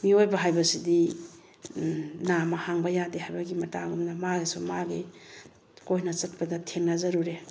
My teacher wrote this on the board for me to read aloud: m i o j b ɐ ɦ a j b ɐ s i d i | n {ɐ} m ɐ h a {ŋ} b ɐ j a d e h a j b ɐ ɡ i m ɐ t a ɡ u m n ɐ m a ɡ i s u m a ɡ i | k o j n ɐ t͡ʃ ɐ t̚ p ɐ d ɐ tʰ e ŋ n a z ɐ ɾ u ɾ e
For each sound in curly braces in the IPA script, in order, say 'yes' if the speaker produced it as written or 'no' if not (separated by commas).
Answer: no, yes